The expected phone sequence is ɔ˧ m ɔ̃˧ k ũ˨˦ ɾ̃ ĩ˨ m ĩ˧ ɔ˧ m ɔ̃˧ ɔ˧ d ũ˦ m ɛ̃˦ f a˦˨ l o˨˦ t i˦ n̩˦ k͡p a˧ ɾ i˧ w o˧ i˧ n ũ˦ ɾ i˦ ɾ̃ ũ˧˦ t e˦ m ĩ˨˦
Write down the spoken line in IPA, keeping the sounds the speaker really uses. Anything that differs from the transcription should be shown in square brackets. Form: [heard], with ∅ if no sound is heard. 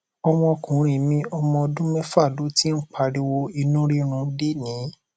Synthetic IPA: ɔ˧ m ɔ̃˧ k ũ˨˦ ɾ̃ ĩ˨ m ĩ˧ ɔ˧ m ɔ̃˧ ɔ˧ d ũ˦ m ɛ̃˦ f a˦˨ l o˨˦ t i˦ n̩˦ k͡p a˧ ɾ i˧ w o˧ i˧ n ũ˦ ɾ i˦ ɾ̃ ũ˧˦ [d] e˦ [n] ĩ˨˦